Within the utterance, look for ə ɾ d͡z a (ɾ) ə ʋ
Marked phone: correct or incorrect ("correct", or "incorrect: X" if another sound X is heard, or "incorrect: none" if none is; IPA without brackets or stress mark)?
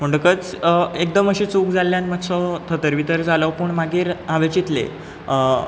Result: incorrect: l